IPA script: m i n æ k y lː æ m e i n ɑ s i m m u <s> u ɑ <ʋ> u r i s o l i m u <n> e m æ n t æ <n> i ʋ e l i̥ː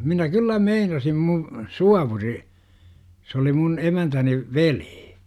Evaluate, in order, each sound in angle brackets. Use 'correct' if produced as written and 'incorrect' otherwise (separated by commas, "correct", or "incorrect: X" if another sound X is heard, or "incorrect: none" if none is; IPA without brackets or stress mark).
correct, correct, correct, correct